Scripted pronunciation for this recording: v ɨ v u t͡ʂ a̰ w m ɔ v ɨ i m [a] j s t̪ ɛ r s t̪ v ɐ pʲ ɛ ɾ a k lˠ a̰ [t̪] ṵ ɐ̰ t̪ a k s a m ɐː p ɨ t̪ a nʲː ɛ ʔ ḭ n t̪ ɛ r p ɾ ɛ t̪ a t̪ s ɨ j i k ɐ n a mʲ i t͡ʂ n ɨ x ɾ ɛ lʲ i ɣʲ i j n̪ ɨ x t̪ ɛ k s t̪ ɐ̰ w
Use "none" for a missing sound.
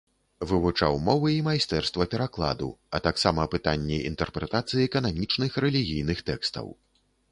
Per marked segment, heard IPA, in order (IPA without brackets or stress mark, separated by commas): a, d̪